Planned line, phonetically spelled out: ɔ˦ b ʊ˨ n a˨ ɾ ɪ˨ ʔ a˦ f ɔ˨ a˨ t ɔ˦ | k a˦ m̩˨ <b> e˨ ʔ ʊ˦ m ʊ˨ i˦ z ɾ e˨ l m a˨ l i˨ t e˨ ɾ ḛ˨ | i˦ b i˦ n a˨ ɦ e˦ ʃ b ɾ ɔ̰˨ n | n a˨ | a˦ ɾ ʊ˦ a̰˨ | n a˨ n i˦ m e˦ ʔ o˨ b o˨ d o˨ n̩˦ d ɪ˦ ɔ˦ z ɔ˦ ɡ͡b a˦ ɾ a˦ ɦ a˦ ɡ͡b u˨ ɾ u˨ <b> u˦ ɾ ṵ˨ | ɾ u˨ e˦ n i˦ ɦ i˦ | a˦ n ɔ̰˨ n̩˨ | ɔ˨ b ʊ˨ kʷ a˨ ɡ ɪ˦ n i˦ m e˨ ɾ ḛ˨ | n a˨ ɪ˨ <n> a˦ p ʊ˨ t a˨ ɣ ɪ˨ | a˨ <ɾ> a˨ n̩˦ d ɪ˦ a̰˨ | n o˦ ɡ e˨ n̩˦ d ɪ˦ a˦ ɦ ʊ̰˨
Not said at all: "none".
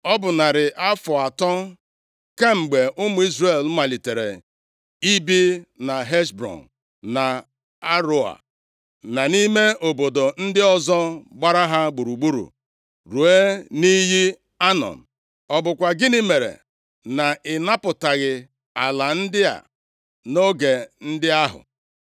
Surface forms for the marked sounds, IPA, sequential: ɡ͡b, ɡ͡b, n, l

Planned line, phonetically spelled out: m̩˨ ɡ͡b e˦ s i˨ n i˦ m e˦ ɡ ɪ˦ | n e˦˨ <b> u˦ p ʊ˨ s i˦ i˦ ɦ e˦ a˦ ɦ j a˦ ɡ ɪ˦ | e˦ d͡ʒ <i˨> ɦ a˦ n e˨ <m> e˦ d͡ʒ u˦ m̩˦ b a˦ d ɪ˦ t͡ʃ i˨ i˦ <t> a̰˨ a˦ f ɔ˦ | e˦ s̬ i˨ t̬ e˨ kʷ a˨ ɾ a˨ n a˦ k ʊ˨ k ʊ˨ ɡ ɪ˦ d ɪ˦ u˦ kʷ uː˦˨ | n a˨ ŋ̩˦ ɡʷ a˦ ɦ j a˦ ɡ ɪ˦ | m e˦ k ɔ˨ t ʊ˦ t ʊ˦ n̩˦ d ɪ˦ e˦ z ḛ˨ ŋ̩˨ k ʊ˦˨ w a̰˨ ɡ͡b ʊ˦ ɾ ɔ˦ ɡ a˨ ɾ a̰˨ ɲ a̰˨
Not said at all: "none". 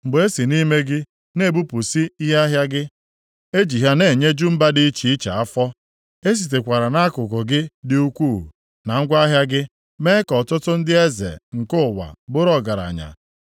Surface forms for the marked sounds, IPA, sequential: b, i˨, ɲ, t͡ʃ

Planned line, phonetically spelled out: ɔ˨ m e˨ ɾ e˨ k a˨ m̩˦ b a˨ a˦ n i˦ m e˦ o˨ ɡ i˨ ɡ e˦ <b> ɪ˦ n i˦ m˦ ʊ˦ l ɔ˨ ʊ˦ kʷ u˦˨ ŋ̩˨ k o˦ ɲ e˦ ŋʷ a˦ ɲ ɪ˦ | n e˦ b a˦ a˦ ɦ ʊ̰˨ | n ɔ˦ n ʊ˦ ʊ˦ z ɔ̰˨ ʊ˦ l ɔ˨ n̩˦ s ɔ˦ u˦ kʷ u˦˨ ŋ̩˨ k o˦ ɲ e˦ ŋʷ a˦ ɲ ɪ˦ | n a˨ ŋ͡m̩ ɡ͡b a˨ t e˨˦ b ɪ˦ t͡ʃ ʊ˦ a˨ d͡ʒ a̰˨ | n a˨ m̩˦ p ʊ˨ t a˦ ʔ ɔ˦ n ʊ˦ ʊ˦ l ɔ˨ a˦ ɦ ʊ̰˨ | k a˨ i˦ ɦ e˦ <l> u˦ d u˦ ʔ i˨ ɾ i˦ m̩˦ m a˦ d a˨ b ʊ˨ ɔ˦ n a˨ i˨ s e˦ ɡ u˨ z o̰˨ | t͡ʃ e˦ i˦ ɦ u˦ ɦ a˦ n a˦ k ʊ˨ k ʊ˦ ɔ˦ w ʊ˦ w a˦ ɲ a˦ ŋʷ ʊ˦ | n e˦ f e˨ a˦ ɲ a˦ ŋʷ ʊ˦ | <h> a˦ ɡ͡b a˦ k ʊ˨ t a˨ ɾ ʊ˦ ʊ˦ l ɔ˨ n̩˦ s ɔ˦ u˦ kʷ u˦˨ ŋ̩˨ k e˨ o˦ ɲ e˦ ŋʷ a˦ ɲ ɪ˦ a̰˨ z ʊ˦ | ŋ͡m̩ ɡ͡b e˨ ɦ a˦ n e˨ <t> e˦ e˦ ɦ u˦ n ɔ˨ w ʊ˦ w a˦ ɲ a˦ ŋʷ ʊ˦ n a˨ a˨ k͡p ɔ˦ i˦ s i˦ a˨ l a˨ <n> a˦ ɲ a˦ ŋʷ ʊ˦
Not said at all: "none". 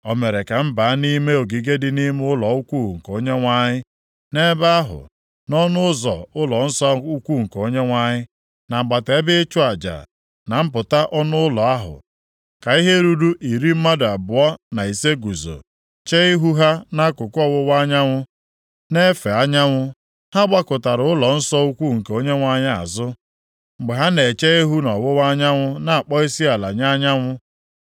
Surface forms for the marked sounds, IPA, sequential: d, ɾ, h, t͡ʃ, ɲ

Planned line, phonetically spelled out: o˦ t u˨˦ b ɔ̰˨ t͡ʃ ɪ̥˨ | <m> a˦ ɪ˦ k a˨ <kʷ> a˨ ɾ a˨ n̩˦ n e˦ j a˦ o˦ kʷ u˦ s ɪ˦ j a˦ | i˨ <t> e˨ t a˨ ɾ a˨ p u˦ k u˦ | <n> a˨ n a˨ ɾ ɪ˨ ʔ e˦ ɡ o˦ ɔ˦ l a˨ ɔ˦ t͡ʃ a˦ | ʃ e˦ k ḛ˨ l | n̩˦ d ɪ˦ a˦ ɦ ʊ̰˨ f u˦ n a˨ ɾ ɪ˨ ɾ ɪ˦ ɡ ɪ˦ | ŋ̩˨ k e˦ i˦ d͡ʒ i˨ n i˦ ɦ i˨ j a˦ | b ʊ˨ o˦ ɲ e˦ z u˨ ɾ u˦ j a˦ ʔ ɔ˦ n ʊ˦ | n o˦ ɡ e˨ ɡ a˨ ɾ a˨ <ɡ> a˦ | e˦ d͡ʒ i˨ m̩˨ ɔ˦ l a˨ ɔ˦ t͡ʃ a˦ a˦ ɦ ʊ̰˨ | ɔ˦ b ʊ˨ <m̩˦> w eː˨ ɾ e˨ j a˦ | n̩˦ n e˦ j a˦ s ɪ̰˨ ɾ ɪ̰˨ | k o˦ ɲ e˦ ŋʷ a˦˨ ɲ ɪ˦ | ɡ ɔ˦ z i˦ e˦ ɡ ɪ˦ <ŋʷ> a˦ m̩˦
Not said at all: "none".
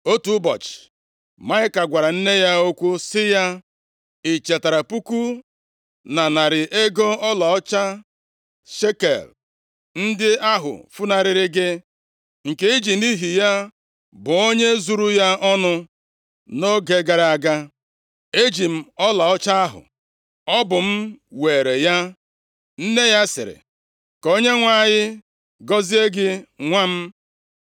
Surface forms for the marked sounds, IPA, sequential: m, ɡʷ, t͡ʃ, n, ɡ, m̩˦, ŋʷ

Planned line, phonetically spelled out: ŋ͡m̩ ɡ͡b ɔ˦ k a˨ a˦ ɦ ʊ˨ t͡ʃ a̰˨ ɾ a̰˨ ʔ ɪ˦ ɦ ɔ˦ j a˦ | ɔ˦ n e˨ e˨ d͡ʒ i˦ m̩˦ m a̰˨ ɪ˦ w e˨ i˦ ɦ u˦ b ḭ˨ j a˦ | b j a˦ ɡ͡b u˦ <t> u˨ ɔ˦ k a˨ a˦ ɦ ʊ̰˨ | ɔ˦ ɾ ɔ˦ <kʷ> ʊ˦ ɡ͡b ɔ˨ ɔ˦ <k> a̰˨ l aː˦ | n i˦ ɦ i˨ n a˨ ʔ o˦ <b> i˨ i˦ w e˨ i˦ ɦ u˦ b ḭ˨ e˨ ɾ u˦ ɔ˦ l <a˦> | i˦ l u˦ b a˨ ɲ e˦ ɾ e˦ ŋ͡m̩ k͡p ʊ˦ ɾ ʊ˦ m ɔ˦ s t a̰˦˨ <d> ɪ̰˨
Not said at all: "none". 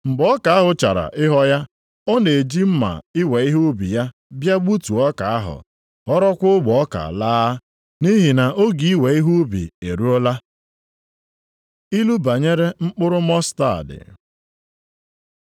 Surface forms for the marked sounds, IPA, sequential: t, kʷ, k, ɡ, a˦, d

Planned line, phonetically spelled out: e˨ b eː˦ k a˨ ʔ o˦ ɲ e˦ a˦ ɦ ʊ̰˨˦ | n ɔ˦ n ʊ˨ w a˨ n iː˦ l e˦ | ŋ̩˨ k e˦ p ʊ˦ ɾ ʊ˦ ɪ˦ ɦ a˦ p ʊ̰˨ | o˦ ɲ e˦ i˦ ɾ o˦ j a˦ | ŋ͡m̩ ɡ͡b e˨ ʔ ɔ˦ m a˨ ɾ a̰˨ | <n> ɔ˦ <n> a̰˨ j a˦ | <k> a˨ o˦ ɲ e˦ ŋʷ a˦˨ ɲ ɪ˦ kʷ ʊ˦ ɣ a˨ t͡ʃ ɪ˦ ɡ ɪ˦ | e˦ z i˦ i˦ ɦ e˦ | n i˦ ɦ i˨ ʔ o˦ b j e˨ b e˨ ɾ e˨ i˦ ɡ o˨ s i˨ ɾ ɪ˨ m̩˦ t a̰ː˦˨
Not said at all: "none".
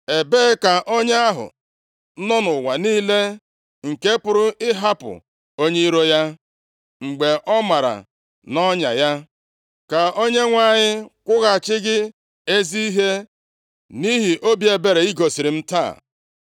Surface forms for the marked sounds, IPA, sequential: n, ɲ, k

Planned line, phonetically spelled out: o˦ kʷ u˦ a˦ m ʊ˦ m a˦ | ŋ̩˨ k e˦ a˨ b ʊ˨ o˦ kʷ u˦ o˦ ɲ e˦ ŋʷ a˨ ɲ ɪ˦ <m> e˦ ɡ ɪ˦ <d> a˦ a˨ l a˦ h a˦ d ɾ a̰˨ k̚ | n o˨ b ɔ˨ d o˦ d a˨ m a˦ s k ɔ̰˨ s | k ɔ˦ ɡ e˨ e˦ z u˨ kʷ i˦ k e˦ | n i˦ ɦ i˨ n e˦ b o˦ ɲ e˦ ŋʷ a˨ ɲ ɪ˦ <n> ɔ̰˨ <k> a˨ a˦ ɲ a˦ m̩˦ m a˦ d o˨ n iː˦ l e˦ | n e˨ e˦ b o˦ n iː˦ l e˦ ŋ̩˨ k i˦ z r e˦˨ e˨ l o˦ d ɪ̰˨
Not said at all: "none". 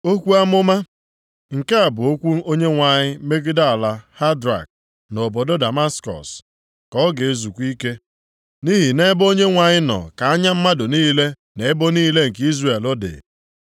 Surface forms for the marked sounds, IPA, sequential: m, d, n, k

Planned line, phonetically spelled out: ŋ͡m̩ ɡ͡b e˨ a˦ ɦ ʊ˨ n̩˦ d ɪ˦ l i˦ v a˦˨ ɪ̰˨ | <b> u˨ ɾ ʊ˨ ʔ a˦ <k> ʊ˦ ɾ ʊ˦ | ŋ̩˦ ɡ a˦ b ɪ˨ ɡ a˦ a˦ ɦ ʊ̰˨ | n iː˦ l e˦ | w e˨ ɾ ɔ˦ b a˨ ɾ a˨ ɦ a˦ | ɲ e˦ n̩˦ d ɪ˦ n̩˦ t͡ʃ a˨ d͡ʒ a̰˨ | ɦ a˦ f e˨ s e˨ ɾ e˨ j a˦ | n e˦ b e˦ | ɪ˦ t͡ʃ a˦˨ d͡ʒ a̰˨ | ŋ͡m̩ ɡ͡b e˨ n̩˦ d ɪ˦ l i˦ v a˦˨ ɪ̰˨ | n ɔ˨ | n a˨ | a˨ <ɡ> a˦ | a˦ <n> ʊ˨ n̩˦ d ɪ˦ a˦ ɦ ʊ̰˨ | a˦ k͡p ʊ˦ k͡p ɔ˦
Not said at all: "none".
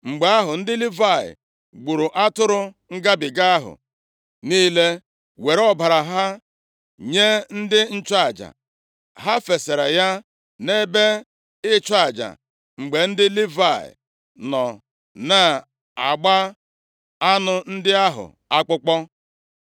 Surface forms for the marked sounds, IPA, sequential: ɡ͡b, t, ɡ͡b, n

